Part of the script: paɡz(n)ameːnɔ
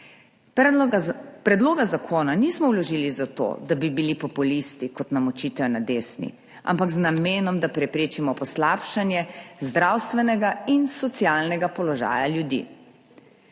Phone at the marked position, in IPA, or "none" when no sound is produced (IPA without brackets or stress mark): n